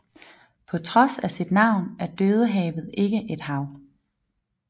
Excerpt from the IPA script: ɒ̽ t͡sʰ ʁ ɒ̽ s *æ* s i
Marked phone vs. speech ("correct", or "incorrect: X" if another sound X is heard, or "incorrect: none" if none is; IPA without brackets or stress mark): correct